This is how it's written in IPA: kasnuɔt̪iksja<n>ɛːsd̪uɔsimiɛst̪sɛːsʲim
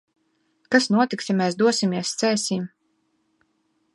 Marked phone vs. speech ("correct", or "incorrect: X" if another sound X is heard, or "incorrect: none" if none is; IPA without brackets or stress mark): incorrect: m